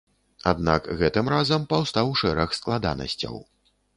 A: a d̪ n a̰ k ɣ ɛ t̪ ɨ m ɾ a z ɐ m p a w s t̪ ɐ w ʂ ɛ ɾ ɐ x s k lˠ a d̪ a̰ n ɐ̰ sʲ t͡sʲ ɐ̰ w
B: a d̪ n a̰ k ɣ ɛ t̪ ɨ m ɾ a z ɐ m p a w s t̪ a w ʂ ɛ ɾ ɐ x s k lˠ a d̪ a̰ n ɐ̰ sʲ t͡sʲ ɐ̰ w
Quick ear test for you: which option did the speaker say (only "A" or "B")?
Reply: B